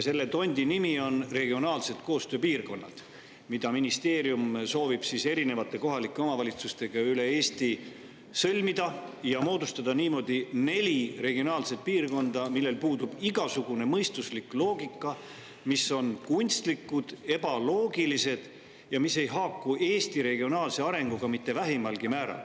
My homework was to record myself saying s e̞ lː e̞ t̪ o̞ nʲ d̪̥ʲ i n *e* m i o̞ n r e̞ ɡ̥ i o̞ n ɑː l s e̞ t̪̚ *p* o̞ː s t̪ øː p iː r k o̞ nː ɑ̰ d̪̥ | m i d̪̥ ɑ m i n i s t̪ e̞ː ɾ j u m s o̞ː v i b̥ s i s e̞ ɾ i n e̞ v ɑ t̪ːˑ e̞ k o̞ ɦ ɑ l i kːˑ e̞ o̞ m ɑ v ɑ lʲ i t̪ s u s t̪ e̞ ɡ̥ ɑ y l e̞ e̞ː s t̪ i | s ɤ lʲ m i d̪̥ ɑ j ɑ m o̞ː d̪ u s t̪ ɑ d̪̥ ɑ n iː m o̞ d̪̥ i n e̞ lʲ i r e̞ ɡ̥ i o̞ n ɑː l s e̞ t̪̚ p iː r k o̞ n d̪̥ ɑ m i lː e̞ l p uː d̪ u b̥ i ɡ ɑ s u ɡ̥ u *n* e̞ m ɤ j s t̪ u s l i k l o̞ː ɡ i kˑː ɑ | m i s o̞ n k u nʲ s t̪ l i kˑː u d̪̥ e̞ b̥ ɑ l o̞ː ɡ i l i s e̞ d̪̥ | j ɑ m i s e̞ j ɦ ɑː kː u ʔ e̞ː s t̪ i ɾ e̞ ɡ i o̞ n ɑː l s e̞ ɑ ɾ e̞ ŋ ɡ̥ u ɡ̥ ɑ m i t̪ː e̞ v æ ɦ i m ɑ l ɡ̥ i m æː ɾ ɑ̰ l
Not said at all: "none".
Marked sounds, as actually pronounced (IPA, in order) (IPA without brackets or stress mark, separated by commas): i, k, n